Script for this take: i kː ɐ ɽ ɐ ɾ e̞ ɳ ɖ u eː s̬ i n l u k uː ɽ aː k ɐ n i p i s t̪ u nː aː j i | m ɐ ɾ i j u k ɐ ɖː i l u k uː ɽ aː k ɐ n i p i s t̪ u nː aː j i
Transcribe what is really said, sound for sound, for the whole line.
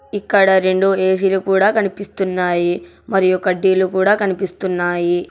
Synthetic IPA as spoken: i kː ɐ ɽ ɐ ɾ e̞ ɳ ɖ u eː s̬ i l u k uː ɽ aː k ɐ n i p i s t̪ u nː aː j i | m ɐ ɾ i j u k ɐ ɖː i l u k uː ɽ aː k ɐ n i p i s t̪ u nː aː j i